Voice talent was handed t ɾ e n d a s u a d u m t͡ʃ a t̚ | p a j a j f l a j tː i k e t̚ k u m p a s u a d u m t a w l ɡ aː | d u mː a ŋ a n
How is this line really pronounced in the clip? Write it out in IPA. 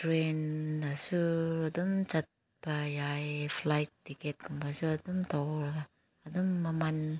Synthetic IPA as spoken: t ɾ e n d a s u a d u m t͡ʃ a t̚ | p a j a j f l a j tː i k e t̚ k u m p a s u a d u m t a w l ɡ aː | d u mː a m a n